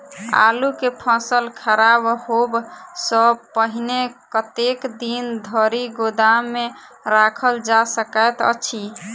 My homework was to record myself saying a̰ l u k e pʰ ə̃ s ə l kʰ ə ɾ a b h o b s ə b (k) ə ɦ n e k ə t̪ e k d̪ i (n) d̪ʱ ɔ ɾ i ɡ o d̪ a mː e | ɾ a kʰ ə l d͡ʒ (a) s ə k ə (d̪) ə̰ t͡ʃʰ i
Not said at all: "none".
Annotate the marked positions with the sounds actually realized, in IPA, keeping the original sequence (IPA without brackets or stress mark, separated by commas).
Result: p, n, a, t̪